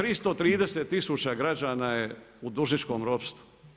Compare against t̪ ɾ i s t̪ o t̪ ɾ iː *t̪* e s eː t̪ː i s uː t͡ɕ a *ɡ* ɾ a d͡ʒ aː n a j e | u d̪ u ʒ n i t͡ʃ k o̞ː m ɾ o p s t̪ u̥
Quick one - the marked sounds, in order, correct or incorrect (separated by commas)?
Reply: incorrect, correct